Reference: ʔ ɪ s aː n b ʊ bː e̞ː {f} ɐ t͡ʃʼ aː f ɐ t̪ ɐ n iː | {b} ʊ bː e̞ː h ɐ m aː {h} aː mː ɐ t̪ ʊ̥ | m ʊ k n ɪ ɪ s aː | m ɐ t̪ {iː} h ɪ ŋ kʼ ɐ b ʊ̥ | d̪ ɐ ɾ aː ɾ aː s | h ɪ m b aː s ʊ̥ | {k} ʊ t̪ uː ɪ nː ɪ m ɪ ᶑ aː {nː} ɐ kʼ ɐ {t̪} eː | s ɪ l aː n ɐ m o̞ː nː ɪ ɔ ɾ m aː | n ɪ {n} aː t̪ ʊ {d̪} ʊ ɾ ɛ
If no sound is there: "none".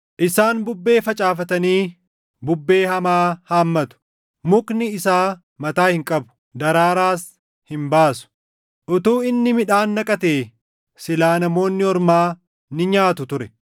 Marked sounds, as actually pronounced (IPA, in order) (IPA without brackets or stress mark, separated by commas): f, b, h, aː, ʔ, nː, t̪, ɲ, t̪